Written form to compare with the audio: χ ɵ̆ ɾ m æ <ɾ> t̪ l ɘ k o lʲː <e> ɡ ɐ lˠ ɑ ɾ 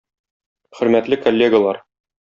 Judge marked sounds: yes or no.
no, yes

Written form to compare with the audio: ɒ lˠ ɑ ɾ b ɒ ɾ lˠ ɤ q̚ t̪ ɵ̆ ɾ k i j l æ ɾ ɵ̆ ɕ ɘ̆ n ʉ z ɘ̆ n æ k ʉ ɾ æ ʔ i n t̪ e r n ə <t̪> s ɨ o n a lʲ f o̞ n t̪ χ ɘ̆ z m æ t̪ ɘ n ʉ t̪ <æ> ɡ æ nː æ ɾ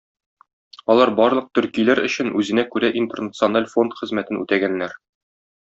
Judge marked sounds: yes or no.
yes, yes

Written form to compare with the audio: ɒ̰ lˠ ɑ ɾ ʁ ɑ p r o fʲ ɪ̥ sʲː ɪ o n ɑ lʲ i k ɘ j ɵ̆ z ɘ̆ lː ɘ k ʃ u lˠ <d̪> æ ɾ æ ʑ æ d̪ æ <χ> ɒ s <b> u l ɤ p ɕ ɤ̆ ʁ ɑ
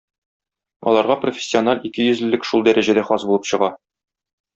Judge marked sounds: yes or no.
yes, yes, yes

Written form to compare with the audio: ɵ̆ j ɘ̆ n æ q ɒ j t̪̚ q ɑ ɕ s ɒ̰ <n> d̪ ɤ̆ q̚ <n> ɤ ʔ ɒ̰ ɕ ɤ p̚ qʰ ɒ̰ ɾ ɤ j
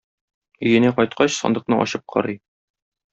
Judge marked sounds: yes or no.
yes, yes

